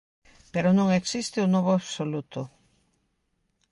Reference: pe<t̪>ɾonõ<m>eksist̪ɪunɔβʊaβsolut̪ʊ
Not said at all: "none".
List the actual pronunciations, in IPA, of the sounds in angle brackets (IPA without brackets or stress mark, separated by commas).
none, ŋ